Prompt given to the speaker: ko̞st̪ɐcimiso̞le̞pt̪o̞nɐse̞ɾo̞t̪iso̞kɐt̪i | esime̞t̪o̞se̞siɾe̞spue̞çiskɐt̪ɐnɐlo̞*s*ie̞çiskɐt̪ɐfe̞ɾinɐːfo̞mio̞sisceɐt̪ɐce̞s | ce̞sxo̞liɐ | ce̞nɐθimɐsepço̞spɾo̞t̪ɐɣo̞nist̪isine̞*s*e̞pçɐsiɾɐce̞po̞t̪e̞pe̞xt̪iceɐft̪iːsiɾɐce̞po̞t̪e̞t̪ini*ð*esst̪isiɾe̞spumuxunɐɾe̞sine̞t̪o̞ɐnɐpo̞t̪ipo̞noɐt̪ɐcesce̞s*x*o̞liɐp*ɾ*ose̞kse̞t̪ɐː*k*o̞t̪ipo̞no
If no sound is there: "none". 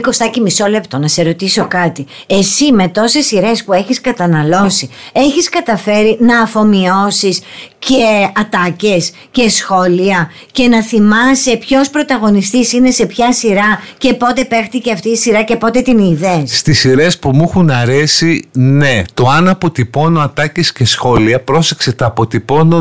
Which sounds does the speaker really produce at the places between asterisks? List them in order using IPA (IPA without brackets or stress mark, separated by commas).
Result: s, s, ð, x, ɾ, p